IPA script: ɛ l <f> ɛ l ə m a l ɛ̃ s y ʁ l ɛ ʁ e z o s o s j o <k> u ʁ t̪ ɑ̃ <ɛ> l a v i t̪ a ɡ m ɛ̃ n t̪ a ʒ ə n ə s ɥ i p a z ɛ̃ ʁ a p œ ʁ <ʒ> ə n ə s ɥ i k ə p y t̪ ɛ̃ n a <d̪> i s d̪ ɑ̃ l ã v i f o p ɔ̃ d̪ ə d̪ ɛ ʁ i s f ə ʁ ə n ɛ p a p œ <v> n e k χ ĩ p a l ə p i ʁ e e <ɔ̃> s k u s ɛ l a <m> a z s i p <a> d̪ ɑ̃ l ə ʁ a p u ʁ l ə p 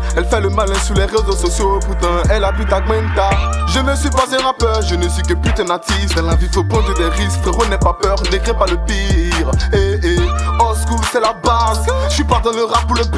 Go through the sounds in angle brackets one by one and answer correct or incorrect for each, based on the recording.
correct, incorrect: p, correct, correct, incorrect: t̪, incorrect: ʁ, incorrect: ɔ, incorrect: b, correct

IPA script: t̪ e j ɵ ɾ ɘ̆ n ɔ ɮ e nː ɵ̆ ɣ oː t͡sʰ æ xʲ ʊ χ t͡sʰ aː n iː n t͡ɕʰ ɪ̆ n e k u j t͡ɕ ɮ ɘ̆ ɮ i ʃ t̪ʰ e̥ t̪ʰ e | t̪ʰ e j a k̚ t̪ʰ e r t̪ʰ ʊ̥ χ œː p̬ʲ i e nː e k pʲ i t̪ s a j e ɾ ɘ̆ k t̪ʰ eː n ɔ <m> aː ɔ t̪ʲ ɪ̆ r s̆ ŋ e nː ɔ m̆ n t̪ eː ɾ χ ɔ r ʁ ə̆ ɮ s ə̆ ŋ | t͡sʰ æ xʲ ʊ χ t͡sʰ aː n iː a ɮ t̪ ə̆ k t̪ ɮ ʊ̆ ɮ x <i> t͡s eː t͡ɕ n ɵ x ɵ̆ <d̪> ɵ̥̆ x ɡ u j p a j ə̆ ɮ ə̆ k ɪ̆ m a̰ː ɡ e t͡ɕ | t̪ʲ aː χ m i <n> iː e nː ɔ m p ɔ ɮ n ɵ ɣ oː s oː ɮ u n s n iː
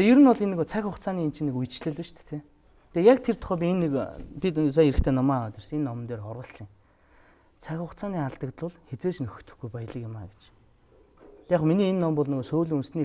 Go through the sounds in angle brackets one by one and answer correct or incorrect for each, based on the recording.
correct, incorrect: e, incorrect: t̪, correct

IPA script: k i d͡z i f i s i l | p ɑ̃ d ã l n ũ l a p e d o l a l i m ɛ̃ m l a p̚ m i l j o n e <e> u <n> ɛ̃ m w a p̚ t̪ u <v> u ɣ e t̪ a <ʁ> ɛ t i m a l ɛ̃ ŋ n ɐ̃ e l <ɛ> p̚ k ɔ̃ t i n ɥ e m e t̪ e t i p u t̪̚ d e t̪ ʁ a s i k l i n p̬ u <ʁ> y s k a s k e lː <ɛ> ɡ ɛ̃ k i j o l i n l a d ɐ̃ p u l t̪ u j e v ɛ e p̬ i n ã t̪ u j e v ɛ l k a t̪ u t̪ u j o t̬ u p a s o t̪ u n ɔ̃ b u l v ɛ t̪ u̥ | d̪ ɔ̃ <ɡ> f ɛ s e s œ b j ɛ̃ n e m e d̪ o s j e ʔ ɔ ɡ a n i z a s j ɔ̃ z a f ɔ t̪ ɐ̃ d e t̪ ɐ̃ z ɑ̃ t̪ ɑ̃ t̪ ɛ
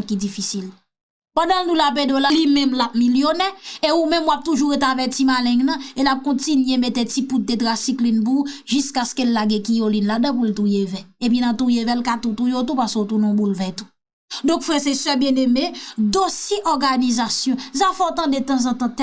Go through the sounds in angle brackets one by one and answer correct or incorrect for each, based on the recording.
correct, incorrect: m, incorrect: ʒ, incorrect: v, incorrect: a, incorrect: ʒ, incorrect: a, incorrect: k

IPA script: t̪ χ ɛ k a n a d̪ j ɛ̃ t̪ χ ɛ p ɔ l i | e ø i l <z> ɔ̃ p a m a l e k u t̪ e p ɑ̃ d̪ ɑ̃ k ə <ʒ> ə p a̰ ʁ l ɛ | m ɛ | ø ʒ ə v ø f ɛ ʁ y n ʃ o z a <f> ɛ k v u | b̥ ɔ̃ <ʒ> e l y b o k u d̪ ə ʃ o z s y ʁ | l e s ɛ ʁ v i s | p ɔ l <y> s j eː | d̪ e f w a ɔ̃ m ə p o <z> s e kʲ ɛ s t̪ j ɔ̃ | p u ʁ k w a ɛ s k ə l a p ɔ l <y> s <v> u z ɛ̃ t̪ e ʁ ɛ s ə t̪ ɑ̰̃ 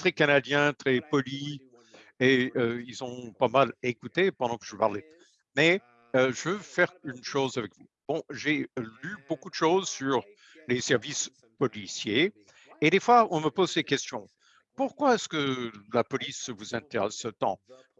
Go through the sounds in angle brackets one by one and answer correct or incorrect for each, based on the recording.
correct, correct, incorrect: v, correct, incorrect: i, correct, incorrect: i, correct

